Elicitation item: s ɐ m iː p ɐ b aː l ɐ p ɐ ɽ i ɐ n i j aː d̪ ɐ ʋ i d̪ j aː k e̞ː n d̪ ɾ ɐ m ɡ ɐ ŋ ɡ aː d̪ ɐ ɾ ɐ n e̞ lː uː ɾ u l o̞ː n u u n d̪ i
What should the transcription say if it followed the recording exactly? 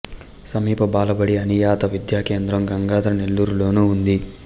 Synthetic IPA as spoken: s ɐ m iː p ɐ b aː l ɐ b ɐ ɽ i ɐ n i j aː t̪ ɐ ʋ i d̪ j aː k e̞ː n d̪ ɾ ɐ m ɡ ɐ ŋ ɡ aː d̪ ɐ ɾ ɐ n e̞ lː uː ɾ u l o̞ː n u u n d̪ i

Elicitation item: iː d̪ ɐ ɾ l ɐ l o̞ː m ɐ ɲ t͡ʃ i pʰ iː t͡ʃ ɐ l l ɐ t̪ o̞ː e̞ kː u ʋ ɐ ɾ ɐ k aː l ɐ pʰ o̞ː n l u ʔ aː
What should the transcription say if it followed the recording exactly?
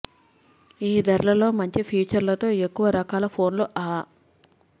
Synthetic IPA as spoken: iː d̪ ɐ ɾ l ɐ l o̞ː m ɐ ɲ t͡ʃ i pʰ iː t͡ʃ ɐ ɾ l ɐ t̪ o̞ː e̞ kː u ʋ ɐ ɾ ɐ k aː l ɐ pʰ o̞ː n l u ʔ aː

